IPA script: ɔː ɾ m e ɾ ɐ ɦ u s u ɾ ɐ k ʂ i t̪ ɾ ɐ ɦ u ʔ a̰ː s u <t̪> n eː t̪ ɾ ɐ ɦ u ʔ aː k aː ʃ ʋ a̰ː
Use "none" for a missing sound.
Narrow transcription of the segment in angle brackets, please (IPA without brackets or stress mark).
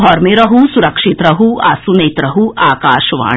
none